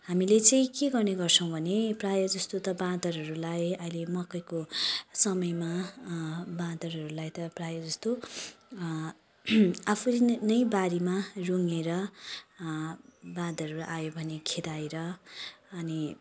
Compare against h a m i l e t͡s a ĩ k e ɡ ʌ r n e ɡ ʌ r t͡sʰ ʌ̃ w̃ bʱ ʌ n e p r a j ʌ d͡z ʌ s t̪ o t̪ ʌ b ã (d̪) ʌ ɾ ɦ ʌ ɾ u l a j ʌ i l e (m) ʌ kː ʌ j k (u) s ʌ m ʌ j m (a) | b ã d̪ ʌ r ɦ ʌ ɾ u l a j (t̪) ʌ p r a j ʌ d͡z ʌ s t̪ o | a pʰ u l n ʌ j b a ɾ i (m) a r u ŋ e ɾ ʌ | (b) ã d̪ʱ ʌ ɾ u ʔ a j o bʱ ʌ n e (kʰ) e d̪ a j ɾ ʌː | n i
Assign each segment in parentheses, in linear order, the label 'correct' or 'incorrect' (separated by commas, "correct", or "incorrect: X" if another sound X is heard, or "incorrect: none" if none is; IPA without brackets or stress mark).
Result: correct, correct, incorrect: o, correct, correct, correct, correct, correct